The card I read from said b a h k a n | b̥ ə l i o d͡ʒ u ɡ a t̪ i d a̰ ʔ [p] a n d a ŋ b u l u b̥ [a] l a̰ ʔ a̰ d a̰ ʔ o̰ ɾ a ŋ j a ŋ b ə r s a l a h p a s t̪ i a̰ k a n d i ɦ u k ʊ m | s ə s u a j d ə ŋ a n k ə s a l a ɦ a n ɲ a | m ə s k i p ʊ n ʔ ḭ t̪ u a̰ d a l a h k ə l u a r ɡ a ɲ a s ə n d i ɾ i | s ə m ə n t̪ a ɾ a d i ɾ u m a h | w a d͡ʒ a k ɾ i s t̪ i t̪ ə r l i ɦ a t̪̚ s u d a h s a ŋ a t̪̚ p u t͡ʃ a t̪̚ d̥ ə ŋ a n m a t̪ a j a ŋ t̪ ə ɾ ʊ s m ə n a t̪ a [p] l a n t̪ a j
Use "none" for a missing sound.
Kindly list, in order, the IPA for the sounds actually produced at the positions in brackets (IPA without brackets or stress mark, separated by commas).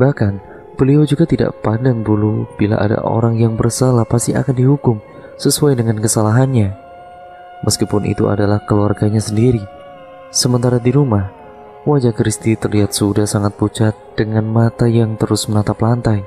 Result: p, i, p